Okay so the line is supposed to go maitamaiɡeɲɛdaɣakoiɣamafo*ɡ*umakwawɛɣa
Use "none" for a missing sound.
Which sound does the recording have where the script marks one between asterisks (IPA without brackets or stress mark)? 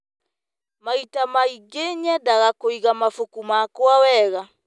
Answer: k